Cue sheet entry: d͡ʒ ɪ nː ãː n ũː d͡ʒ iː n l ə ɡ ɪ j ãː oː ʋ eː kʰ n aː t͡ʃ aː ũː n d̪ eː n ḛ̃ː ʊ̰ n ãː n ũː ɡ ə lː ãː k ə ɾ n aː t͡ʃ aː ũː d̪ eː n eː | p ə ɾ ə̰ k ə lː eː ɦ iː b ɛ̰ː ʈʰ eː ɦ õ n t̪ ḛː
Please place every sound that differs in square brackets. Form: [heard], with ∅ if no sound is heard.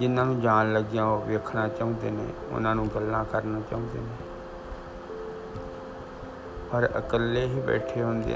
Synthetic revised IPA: d͡ʒ ɪ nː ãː n ũː d͡ʒ [aː] n l ə ɡ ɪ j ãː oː ʋ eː kʰ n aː t͡ʃ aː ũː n d̪ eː n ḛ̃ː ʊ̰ n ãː n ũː ɡ ə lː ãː k ə ɾ n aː t͡ʃ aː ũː d̪ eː n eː | p ə ɾ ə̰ k ə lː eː ɦ iː b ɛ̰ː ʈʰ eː ɦ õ n [d̪] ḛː